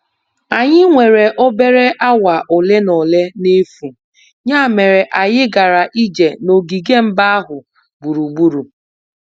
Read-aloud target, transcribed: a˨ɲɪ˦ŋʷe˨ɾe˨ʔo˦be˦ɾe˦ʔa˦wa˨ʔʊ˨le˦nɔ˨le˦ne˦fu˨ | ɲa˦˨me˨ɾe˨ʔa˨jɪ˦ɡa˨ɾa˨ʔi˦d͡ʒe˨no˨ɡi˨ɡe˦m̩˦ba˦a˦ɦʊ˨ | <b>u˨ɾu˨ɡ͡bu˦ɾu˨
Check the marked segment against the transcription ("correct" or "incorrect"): correct